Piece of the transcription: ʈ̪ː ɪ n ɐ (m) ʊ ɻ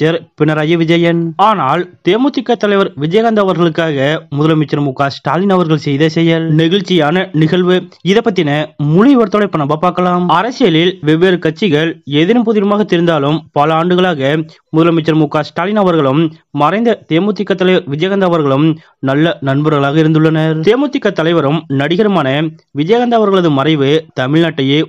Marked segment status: correct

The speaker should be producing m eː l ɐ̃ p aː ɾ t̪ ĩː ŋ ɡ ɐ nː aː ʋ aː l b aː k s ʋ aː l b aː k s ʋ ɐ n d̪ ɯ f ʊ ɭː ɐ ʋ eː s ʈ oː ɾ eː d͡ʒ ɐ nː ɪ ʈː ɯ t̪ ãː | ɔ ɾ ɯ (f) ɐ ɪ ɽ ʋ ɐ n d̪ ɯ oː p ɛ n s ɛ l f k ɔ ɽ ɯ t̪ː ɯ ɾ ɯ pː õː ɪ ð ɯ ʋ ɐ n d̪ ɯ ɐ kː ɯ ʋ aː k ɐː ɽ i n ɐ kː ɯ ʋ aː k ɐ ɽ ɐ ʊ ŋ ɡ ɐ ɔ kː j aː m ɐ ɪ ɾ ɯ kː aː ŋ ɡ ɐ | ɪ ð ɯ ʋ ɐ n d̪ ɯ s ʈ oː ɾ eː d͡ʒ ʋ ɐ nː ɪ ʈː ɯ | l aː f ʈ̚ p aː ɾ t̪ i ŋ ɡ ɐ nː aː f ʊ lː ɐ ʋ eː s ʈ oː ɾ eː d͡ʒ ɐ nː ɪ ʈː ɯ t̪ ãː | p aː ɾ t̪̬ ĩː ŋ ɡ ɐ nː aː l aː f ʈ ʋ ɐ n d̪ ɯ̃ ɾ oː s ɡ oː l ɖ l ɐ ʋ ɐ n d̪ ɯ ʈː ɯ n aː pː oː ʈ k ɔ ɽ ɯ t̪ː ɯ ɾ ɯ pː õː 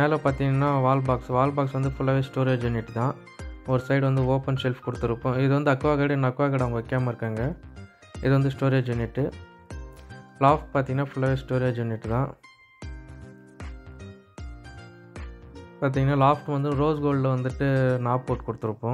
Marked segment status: incorrect: s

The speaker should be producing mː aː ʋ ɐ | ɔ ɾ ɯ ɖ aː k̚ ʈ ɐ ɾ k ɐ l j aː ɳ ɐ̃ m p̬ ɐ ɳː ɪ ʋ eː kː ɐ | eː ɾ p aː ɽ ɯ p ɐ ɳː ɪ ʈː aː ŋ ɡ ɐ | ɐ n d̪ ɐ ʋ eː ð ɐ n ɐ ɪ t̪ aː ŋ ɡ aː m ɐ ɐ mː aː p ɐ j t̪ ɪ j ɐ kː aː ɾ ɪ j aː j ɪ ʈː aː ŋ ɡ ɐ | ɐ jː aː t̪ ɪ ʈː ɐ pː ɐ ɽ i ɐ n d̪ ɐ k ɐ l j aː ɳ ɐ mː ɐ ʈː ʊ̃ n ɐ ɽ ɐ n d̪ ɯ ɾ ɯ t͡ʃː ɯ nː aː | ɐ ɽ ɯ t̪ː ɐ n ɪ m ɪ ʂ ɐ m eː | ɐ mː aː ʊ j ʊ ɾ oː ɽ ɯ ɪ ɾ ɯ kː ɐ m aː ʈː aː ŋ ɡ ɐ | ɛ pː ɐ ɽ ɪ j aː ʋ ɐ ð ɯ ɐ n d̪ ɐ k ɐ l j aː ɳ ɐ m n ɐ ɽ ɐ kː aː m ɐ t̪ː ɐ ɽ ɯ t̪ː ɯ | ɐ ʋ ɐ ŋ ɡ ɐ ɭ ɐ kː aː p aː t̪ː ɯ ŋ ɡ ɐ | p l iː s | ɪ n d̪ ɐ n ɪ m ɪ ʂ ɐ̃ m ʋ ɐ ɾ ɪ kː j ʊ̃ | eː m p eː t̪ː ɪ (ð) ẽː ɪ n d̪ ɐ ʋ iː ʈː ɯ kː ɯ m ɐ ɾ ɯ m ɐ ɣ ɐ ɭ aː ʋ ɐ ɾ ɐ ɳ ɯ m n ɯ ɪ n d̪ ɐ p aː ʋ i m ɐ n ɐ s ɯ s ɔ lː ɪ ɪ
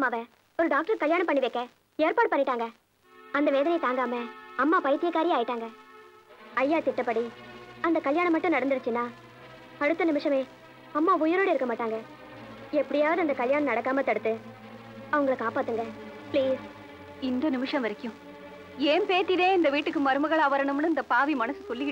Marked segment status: correct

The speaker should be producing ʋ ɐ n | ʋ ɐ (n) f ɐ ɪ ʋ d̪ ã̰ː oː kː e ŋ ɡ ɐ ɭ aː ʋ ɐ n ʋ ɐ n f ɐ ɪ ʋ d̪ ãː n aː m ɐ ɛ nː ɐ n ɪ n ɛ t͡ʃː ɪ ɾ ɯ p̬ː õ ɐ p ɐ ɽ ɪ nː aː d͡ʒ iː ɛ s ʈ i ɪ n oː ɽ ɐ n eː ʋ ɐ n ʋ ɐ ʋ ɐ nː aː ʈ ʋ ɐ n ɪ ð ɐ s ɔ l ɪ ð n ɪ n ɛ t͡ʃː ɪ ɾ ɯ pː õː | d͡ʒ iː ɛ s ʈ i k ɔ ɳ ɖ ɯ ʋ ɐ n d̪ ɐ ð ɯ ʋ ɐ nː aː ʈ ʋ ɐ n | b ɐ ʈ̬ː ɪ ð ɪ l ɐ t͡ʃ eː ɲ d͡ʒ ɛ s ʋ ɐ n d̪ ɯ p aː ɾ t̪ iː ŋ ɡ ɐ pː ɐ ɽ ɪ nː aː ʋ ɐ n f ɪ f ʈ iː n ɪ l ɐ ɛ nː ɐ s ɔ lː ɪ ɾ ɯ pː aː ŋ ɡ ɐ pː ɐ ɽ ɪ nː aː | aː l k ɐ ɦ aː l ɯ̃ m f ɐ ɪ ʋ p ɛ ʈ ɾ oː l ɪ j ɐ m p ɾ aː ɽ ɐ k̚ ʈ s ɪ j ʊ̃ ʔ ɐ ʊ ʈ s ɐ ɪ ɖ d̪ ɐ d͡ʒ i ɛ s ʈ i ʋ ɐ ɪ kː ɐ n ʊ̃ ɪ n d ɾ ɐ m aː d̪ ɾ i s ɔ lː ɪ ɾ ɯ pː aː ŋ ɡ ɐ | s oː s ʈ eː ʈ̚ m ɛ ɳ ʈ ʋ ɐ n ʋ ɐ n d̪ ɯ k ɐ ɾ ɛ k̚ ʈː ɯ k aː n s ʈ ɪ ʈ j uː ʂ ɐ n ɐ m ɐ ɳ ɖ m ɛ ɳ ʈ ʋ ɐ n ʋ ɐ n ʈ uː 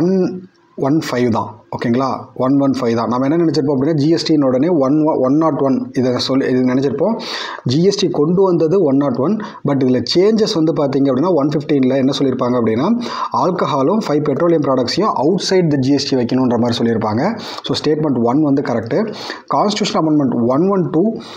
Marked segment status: correct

